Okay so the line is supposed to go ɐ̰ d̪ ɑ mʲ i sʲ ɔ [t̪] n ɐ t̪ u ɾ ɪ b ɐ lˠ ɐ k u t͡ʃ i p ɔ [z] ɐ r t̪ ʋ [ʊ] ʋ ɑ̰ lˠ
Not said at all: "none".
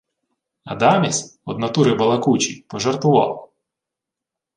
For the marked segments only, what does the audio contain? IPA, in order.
d̪, ʒ, ʊ

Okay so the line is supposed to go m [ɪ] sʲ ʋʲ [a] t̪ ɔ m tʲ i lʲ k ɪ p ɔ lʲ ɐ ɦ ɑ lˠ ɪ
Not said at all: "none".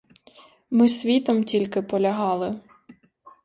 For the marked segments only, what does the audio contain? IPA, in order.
ɪ, i

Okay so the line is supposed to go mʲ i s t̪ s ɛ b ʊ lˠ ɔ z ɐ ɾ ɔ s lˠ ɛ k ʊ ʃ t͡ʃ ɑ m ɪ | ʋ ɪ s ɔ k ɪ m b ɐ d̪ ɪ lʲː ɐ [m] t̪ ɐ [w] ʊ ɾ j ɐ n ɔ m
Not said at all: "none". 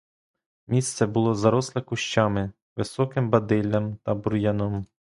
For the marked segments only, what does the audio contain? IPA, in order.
m, b

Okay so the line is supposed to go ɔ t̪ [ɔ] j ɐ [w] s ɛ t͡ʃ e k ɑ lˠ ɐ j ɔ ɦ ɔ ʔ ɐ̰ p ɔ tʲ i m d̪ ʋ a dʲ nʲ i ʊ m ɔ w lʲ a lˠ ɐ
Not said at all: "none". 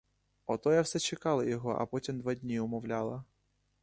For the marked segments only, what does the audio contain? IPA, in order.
ɔ, w

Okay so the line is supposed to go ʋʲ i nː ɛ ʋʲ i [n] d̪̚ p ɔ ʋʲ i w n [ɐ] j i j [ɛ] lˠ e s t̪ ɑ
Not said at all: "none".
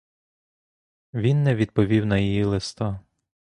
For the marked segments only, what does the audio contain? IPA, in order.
none, ɐ, i

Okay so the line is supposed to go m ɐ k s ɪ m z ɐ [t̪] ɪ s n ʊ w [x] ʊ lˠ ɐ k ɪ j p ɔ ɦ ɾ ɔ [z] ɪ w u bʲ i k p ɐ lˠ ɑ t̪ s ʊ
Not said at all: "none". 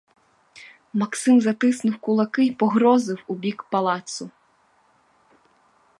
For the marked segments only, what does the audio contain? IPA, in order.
t̪, k, z

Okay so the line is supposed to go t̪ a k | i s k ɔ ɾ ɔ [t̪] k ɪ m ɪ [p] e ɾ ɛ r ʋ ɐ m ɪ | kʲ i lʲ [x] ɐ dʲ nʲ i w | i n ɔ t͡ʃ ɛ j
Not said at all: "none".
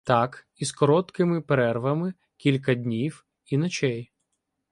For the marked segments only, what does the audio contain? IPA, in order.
t̪, p, k

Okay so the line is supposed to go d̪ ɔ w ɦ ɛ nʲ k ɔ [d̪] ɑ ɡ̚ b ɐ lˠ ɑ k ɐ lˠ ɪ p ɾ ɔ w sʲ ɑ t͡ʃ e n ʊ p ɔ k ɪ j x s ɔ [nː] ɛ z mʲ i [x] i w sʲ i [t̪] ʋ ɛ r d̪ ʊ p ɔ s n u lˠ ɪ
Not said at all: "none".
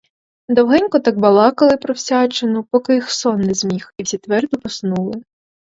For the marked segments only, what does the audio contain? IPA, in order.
t̪, nː, x, t̪

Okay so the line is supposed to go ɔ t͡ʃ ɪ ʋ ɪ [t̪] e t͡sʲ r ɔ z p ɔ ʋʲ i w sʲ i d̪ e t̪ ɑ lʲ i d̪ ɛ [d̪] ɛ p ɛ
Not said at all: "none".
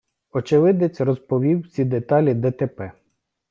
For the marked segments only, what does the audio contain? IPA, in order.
d̪, t̪

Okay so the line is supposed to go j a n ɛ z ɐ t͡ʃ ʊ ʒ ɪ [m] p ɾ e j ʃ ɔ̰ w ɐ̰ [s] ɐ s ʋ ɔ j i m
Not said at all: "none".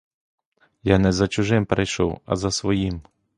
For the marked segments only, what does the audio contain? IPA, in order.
m, z

